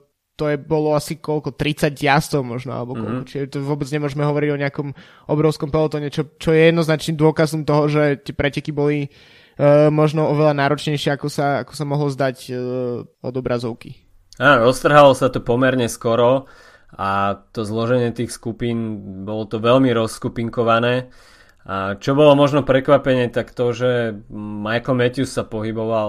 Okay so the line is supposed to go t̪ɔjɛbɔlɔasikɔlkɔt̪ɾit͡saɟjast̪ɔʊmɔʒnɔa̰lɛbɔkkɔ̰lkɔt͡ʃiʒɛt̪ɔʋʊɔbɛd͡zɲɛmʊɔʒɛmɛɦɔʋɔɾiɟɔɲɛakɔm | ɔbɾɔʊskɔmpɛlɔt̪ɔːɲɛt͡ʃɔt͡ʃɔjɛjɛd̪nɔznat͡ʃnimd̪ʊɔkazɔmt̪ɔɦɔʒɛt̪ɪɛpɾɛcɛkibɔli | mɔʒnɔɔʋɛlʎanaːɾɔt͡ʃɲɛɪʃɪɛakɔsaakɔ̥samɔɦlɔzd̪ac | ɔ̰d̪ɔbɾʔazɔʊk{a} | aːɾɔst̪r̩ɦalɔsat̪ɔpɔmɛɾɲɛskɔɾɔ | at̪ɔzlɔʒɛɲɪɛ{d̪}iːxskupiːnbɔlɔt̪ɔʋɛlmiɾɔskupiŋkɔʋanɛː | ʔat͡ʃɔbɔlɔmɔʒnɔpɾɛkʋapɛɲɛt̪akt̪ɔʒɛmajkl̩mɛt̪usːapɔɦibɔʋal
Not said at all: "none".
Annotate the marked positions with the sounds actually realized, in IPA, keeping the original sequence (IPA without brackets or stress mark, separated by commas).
i, t̪